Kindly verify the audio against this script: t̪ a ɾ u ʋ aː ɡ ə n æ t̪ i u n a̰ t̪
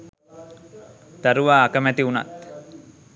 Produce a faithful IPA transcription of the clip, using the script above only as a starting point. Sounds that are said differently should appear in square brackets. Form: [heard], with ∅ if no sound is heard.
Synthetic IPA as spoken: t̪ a ɾ u ʋ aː [k] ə [m] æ t̪ i u n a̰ t̪